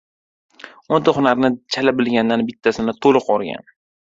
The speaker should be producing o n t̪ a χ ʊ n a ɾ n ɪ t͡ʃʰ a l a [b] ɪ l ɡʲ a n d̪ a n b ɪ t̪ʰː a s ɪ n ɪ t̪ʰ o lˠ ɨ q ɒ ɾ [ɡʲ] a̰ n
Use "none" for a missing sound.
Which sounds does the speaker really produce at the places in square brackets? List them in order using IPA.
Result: b, ɡʲ

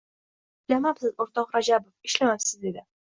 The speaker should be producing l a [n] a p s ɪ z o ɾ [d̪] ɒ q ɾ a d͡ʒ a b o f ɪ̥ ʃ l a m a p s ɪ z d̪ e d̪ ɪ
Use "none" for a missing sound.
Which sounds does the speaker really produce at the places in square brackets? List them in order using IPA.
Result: m, t̪

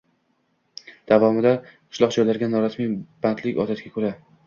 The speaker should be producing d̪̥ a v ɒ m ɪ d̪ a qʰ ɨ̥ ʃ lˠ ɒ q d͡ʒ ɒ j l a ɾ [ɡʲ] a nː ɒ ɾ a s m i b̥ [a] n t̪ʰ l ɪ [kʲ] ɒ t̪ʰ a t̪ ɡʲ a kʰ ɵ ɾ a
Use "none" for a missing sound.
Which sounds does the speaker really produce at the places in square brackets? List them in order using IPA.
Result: ɡʲ, a, kʲ

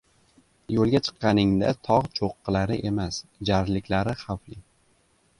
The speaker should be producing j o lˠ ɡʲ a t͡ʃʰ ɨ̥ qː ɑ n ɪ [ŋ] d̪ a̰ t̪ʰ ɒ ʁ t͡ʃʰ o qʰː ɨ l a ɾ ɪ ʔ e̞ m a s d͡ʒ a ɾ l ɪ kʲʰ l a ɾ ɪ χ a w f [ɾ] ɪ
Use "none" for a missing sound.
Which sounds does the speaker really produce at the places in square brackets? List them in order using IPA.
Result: ŋ, l

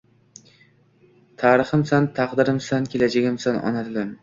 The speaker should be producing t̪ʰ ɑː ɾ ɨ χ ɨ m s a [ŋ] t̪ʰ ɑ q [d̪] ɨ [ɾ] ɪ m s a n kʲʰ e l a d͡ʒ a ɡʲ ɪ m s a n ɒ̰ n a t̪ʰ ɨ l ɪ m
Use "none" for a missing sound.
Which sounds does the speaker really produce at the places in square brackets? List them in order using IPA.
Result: n, d̪, ɾ

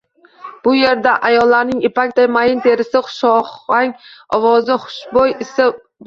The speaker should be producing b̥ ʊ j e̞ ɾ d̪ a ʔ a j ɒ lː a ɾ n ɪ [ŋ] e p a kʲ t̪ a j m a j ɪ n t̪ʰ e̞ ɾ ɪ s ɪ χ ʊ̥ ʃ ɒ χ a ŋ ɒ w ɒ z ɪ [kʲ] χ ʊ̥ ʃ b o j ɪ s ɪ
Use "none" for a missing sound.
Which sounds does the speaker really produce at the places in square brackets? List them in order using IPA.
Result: ŋ, none

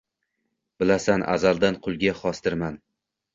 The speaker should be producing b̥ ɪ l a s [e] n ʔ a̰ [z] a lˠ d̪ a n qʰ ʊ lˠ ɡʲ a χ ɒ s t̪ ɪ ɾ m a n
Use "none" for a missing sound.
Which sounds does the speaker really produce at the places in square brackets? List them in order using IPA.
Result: a, z

